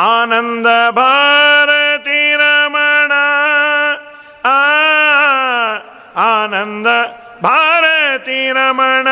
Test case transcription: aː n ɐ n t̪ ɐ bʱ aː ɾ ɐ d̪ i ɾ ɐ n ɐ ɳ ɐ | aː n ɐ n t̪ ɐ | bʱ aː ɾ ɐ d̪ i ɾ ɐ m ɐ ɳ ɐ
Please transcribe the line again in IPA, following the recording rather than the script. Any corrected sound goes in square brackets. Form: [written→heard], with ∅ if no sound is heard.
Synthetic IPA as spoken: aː n ɐ n [t̪→d̪] ɐ bʱ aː ɾ ɐ [d̪→t̪] i ɾ ɐ [n→m] ɐ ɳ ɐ | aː n ɐ n [t̪→d̪] ɐ | bʱ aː ɾ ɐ [d̪→t̪] i ɾ ɐ m ɐ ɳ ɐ